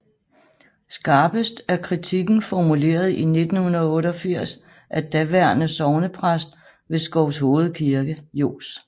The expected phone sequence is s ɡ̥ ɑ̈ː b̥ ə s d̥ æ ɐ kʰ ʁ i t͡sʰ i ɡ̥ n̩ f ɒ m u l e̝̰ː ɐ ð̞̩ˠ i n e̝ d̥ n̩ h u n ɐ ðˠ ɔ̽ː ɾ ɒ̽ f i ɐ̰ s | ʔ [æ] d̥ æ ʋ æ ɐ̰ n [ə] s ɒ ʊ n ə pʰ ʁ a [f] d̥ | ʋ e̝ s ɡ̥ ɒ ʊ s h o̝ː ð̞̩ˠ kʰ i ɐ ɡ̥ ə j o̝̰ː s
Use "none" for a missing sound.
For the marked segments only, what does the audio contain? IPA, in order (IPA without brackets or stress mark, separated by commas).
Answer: æ, ə, s